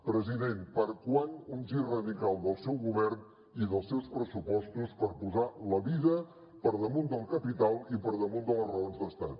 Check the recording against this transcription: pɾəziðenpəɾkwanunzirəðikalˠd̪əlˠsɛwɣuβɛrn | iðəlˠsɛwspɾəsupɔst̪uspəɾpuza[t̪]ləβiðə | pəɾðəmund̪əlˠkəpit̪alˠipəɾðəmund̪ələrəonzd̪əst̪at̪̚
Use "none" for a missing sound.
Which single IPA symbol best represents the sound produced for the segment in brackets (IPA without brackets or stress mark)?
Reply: none